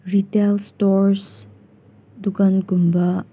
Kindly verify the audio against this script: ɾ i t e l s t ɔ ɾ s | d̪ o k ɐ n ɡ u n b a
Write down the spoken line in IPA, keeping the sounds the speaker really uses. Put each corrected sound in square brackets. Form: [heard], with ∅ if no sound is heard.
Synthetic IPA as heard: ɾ i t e l s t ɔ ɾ s | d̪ [u] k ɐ n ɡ u [m] b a